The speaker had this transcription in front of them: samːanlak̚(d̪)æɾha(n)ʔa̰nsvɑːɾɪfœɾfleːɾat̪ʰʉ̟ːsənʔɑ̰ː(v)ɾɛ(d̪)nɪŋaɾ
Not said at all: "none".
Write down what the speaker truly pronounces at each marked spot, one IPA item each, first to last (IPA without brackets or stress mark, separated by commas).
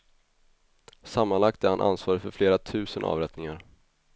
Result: t̪, n, v, t̪